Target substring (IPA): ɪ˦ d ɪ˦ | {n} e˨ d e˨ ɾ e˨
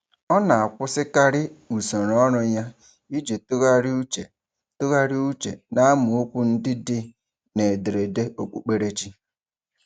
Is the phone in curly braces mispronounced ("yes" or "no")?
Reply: no